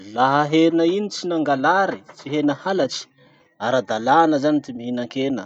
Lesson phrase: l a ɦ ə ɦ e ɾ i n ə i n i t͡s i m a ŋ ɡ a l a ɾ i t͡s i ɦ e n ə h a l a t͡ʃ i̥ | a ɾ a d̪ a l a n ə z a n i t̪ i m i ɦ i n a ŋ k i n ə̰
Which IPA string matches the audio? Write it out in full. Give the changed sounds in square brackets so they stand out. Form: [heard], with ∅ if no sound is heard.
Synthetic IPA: l a ɦ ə ɦ e ɾ i n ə i n i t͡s i [n] a ŋ ɡ a l a ɾ i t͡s i ɦ e n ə h a l a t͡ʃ i̥ | a ɾ a d̪ a l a n ə z a n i t̪ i m i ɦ i n a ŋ k [e] n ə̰